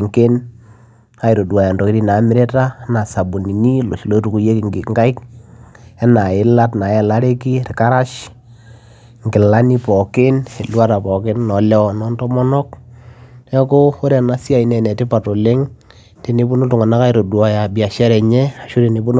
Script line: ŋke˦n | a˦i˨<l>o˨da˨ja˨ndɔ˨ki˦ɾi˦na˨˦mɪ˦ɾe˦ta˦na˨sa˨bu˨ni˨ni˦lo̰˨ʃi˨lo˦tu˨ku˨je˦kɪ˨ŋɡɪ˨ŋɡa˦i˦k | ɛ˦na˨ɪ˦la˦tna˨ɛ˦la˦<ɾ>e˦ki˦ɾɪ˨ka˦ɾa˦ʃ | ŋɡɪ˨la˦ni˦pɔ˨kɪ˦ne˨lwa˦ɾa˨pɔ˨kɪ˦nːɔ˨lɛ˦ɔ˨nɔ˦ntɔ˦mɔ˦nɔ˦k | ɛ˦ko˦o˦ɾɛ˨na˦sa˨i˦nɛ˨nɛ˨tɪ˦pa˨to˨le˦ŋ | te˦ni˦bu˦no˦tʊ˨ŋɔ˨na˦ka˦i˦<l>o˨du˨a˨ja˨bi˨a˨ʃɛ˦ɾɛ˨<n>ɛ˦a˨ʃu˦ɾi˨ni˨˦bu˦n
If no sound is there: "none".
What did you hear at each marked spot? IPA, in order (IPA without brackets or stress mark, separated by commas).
ɾ, ɾ, ɾ, ɲ